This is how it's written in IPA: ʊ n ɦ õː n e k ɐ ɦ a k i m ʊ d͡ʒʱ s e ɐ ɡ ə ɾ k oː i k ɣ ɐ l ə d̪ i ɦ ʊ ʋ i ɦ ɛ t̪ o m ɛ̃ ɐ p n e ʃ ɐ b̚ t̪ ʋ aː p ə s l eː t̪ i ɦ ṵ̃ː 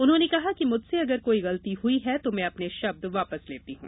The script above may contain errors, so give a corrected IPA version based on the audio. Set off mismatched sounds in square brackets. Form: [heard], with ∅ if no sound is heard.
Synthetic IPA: ʊ n ɦ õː n e k ɐ ɦ a k i m ʊ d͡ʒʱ s e ɐ ɡ ə ɾ k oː i [∅] ɣ ɐ l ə [t̪] i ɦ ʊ [∅] i ɦ ɛ t̪ o m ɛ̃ ɐ p n e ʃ ɐ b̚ [d̪] ʋ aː p ə s l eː t̪ i ɦ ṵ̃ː